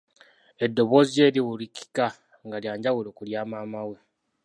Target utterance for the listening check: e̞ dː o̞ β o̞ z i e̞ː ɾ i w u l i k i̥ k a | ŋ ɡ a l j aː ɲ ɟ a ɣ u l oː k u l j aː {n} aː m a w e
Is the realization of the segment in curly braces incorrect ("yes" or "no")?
yes